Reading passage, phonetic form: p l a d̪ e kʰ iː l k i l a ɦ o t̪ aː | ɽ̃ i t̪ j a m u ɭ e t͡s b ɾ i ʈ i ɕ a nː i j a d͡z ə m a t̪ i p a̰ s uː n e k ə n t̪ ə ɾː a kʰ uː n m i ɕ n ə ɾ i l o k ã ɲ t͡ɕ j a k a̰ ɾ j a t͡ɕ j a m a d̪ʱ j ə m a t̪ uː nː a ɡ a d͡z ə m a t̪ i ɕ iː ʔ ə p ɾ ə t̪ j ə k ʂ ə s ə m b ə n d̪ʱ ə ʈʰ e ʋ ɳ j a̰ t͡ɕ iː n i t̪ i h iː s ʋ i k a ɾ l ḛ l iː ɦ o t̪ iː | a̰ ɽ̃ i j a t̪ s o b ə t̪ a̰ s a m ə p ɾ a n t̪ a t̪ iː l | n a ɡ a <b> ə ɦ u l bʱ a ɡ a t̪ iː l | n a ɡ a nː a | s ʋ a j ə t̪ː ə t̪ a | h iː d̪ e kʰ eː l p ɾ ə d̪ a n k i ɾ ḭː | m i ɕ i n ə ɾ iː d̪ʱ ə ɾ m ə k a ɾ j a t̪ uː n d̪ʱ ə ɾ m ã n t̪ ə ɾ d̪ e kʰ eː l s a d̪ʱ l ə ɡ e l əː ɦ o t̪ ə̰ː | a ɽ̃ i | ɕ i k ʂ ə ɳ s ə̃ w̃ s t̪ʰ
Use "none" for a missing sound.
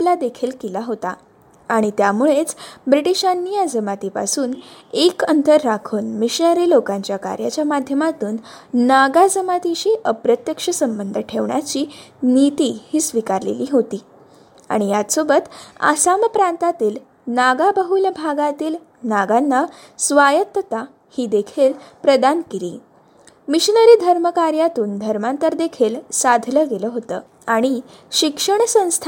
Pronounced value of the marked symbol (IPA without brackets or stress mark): b